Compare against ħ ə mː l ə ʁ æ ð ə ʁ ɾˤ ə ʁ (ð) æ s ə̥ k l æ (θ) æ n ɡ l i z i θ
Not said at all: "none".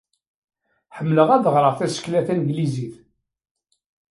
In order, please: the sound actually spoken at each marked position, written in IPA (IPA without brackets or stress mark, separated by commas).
θ, θ